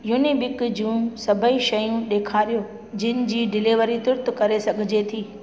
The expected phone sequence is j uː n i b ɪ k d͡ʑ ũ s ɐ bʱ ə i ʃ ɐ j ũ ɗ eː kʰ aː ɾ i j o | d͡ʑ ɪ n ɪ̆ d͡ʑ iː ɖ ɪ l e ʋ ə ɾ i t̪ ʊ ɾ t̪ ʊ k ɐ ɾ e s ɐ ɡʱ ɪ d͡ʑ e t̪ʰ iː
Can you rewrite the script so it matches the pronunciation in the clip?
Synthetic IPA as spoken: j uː n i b ɪ k d͡ʑ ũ s ɐ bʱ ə i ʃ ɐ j ũ ɗ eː kʰ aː ɾ i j o | d͡ʑ ɪ n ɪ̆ d͡ʑ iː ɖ ɪ l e ʋ ə ɾ i t̪ ʊ ɾ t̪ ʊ k ɐ ɾ e s ɐ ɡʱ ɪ d͡ʑ e t̪ʰ iː